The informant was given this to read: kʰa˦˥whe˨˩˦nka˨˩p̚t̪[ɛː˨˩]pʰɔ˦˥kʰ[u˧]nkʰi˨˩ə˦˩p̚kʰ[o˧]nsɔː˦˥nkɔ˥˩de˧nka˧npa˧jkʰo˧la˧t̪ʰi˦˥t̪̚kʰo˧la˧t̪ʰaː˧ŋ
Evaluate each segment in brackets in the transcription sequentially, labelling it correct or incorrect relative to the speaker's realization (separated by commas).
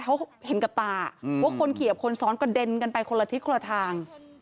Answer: incorrect, incorrect, correct